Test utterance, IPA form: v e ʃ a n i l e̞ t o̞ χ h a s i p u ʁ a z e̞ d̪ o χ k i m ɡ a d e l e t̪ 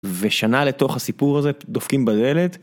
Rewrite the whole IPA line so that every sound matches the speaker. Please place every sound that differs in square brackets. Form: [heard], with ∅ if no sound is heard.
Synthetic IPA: v e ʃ a n [a] l e̞ t o̞ χ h a s i p u ʁ a z e̞ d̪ o [f] k i m [b] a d e l e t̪